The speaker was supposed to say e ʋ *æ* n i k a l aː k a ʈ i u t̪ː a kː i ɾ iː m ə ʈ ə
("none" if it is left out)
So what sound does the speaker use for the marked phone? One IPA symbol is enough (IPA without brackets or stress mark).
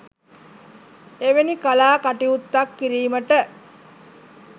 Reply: e